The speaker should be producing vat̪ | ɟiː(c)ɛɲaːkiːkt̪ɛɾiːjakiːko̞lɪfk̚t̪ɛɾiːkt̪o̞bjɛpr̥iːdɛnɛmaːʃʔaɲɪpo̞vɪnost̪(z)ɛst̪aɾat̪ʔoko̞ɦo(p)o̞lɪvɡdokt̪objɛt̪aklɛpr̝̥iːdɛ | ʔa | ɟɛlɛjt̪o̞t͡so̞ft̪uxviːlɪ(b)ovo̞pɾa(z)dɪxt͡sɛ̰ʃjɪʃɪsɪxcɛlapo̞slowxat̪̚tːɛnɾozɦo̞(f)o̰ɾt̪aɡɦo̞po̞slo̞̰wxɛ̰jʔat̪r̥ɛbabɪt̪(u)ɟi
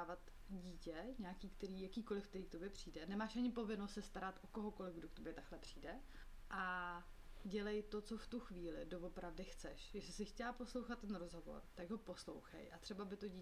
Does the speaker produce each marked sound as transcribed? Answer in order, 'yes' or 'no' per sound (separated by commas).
yes, no, no, no, no, no, no